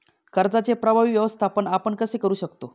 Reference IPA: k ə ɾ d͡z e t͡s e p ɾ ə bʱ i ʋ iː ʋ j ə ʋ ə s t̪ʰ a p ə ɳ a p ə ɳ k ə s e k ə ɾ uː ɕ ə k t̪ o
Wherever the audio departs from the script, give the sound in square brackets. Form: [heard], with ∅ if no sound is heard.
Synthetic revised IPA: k ə ɾ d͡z [a] t͡s e p ɾ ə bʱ [a] ʋ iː ʋ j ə ʋ ə s t̪ʰ a p ə ɳ a p ə ɳ k ə s e k ə ɾ uː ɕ ə k t̪ o